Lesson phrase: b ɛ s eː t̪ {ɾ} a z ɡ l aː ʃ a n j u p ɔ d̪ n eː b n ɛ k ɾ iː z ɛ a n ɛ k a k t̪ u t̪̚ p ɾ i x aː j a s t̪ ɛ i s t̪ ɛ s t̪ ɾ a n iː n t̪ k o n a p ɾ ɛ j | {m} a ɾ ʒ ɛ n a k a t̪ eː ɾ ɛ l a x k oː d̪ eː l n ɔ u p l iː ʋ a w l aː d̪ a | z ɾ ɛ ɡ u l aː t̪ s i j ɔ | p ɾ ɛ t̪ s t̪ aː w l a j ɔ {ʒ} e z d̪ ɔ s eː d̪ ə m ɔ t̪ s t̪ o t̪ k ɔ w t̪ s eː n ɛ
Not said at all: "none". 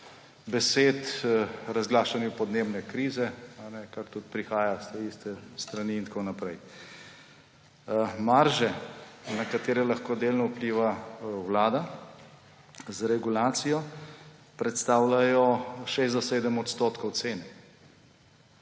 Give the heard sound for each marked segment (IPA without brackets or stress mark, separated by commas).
ɾ, m, ʃ